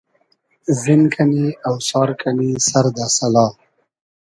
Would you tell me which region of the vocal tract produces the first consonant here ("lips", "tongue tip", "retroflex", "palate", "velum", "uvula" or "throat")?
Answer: tongue tip